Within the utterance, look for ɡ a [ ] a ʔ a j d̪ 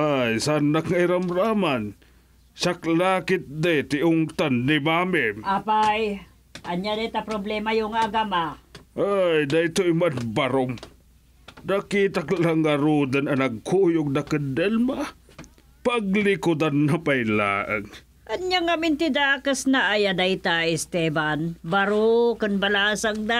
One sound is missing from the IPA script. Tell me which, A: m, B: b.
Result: A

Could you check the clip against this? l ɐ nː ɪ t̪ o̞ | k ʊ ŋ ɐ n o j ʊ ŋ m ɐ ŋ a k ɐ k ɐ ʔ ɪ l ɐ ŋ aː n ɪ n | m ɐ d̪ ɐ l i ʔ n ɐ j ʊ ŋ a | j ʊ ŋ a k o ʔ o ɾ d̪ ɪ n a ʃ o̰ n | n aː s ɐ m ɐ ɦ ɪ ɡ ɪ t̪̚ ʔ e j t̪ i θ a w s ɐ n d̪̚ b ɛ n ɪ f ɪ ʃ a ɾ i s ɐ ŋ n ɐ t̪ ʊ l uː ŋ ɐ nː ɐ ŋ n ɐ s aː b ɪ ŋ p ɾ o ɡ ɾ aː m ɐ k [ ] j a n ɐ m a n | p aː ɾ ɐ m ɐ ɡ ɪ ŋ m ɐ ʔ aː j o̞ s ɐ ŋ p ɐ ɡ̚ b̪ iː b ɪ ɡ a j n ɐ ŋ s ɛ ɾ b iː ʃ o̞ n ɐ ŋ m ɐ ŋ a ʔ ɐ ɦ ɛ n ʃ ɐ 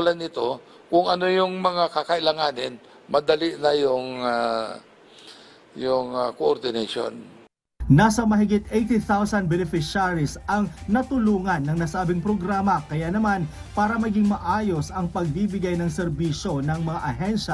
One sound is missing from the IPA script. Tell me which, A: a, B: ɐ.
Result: B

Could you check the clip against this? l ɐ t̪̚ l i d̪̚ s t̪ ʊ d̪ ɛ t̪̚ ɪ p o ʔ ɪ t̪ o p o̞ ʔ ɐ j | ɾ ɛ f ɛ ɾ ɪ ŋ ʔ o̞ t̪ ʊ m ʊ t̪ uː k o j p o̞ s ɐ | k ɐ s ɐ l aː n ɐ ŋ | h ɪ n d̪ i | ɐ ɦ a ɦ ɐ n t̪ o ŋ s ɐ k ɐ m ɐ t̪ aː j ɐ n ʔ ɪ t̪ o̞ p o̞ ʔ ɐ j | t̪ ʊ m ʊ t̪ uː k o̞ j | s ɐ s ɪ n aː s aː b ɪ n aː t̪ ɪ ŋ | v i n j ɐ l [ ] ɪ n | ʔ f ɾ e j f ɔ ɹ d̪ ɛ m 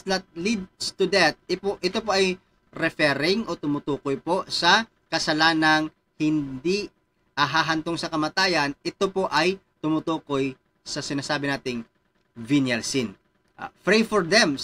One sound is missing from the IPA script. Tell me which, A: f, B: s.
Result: B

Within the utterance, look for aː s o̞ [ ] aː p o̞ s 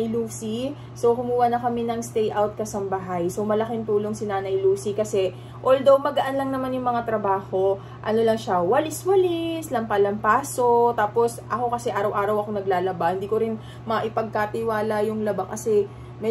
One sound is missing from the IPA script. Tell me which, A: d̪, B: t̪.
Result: B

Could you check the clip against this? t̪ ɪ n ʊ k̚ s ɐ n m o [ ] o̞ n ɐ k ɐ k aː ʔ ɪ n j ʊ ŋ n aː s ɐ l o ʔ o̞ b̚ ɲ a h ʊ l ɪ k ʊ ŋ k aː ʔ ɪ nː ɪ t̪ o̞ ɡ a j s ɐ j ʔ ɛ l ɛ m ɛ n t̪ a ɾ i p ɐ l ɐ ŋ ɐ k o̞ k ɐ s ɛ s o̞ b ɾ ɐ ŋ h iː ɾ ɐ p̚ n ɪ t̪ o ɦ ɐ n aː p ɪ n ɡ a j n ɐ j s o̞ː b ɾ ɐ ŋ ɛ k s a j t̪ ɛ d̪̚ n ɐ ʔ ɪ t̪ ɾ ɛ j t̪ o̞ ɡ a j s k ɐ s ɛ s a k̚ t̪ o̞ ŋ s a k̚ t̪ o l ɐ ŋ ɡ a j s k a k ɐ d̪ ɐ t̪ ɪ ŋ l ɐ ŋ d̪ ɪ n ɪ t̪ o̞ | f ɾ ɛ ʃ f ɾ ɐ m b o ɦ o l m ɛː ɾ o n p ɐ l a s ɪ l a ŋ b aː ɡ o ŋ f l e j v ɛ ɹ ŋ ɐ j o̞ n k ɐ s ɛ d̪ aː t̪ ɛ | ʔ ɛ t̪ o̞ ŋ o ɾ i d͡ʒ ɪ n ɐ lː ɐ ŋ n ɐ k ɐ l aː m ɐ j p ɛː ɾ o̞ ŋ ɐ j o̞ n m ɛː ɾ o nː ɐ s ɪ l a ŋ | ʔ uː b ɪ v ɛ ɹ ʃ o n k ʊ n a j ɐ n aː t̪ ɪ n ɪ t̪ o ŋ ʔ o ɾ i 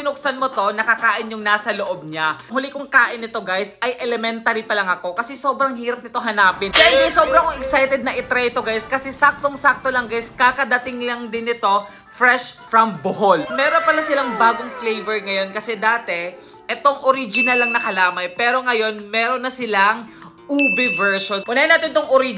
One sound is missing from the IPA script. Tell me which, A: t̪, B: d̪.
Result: A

